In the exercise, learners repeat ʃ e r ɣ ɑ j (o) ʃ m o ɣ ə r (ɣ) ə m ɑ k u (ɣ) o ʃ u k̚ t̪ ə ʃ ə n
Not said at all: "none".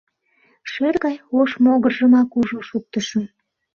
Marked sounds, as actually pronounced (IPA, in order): o, ʒ, ʒ

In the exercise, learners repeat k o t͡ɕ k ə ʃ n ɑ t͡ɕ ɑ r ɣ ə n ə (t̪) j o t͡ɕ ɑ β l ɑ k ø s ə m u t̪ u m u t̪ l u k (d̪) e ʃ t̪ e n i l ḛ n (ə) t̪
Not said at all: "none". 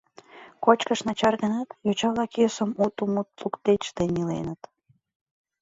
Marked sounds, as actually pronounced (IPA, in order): t̪, t̪, ə

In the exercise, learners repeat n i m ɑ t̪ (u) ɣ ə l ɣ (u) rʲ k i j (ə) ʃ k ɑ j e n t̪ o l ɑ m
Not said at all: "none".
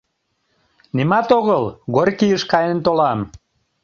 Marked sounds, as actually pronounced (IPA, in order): o, o, ə

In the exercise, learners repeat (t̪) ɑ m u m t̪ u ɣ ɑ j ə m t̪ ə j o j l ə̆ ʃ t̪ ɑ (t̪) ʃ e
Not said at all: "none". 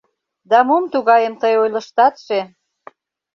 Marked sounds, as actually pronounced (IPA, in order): d̪, t̪

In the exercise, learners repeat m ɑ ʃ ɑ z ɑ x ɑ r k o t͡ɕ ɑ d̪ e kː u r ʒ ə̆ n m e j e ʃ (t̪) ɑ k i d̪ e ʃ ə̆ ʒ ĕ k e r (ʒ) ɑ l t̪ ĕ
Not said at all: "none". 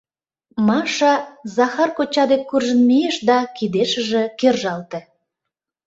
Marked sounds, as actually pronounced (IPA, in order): d̪, ʒ

